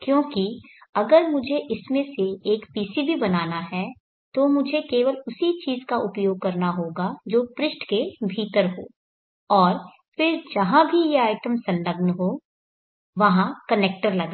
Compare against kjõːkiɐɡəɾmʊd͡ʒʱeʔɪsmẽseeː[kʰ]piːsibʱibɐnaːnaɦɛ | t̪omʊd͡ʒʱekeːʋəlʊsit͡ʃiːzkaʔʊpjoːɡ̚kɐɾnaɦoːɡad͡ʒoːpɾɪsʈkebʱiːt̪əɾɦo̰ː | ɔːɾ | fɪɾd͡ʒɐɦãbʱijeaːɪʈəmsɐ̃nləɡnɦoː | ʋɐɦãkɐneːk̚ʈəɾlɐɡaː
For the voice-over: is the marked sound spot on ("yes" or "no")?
no